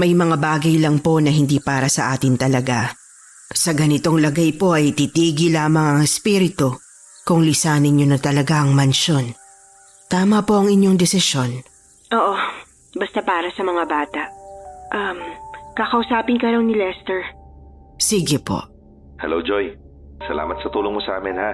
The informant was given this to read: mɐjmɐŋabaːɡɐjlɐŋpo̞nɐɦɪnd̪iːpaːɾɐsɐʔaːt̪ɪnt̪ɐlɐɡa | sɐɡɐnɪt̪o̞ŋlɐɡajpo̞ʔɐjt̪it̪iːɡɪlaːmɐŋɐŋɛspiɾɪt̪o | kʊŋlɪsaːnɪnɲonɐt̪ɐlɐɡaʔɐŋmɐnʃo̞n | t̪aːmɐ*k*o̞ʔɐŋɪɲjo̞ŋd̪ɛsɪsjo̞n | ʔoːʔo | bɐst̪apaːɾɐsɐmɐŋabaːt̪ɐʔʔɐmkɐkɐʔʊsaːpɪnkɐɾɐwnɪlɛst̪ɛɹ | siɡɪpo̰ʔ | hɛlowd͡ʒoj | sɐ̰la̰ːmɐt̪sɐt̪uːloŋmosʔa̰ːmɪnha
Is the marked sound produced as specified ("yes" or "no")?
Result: no